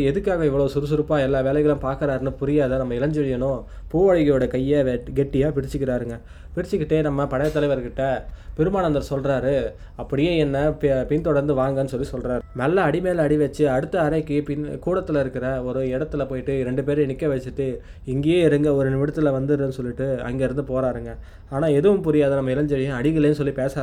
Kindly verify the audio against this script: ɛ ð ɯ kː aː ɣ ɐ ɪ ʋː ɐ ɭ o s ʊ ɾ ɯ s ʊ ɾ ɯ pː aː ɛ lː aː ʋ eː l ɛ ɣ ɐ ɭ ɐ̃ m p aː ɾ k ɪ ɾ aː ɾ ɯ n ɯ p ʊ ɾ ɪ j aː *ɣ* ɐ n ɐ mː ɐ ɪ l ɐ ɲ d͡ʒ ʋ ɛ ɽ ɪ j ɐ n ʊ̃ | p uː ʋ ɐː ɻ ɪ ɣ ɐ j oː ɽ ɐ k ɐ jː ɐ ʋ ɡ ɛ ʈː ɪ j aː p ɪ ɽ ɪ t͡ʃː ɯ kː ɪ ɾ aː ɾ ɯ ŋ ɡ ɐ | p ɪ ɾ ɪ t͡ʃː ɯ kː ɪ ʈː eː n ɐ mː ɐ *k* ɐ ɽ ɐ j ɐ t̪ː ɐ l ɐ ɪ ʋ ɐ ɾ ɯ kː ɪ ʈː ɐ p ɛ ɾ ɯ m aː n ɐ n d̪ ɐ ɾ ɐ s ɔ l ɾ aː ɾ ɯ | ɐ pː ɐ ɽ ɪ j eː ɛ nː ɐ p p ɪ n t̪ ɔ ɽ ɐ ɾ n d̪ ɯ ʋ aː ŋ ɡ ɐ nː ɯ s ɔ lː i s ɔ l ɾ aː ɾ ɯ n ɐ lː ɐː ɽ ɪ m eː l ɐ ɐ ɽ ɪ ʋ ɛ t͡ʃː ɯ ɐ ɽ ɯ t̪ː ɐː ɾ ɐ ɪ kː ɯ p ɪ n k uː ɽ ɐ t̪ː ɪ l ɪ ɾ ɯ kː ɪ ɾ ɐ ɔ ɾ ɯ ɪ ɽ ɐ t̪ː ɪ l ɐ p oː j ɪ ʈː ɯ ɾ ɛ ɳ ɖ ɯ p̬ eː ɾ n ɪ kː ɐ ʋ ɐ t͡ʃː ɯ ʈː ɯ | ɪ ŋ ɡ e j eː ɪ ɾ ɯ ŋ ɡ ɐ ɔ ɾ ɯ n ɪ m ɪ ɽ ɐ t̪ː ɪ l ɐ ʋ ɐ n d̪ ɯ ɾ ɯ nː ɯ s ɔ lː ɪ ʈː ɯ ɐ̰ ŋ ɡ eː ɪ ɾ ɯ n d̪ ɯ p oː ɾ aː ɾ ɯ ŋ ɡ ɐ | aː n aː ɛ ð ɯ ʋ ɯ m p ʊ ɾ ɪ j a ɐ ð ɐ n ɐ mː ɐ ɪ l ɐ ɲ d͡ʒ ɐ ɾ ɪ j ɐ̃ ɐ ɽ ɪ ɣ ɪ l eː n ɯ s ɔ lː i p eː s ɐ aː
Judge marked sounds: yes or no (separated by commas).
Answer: no, no